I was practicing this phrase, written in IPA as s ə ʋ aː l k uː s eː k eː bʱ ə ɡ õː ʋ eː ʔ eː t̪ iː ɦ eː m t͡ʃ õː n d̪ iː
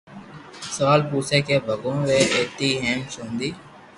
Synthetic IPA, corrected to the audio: s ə ʋ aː l p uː s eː k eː bʱ ə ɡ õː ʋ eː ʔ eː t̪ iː ɦ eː m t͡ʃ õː n d̪ iː